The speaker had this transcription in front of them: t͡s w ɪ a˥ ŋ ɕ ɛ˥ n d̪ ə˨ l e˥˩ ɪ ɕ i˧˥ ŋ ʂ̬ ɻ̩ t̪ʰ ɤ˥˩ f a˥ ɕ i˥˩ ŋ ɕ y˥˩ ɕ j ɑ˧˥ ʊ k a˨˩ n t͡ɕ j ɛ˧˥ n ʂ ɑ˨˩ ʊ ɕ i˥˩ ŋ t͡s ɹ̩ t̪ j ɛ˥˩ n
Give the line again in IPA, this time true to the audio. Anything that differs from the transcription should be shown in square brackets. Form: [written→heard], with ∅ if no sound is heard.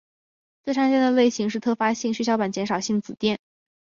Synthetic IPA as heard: t͡s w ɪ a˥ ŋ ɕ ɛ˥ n d̪ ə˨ l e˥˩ ɪ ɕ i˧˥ ŋ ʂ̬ ɻ̩ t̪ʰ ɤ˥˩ f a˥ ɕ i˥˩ ŋ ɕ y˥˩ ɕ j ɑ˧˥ ʊ [k→p] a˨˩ n t͡ɕ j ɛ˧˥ n ʂ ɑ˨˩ ʊ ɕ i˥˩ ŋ t͡s ɹ̩ t̪ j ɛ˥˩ n